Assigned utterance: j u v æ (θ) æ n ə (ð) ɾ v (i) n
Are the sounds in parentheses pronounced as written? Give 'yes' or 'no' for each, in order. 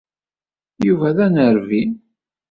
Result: no, no, yes

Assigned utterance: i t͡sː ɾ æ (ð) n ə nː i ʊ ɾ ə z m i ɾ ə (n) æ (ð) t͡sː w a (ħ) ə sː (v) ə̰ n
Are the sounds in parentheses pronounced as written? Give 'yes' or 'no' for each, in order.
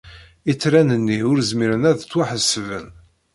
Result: no, yes, yes, yes, yes

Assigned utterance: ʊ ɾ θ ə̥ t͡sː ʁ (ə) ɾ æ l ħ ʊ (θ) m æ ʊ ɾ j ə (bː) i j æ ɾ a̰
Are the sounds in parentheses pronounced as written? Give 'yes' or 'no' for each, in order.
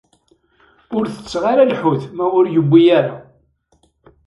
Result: no, yes, yes

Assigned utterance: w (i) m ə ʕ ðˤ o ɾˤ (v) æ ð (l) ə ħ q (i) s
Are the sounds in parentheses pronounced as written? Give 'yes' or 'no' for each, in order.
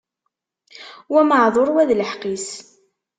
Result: no, no, yes, yes

